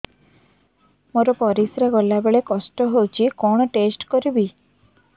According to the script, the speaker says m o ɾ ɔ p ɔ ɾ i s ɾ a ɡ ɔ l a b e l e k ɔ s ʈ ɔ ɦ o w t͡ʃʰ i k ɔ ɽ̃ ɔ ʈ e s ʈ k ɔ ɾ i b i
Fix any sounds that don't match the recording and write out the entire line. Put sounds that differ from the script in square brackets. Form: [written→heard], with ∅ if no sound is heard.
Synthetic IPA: m o ɾ ɔ p ɔ ɾ i s ɾ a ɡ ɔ l a b e [l→ɭ] e k ɔ s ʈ ɔ ɦ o w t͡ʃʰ i k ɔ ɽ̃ ɔ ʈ e s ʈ k ɔ ɾ i b i